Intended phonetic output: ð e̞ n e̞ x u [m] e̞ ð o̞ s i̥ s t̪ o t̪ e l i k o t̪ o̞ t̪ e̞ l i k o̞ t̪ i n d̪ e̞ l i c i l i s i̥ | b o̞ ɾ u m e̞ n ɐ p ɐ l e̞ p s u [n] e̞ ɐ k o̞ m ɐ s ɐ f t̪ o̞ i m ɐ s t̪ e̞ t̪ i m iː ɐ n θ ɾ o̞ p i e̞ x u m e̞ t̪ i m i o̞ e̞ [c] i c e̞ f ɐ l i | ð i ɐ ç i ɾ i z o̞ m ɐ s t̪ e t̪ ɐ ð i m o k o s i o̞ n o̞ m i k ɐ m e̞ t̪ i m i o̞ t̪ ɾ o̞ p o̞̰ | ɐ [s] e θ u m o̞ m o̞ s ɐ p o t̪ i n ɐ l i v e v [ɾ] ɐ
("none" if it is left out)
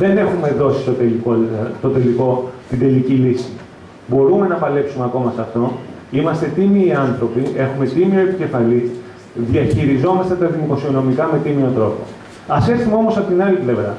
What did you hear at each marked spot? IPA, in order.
m, m, p, s, ɾ

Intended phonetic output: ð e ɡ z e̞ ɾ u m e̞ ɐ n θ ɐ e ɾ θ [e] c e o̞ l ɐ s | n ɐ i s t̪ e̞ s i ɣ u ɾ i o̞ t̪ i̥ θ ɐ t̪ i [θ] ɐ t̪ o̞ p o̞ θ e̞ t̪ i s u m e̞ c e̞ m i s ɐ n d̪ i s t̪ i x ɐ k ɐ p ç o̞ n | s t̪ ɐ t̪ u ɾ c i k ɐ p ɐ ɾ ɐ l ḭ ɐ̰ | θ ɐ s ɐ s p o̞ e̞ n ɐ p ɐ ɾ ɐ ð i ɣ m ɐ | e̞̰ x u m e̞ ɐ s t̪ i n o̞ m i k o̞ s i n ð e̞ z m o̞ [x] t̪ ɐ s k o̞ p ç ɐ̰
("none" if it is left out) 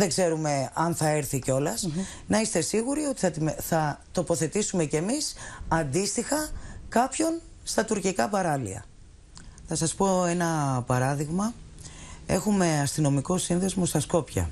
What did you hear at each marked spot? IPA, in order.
i, θ, s

